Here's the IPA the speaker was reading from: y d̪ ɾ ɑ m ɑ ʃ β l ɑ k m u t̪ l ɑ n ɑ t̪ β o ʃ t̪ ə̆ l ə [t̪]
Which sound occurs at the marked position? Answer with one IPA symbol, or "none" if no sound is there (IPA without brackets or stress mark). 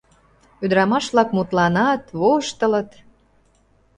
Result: t̪